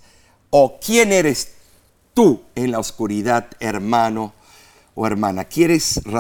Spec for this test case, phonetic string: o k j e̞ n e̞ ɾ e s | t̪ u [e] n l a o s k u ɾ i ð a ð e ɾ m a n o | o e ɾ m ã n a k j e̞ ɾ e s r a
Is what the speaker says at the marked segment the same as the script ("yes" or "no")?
yes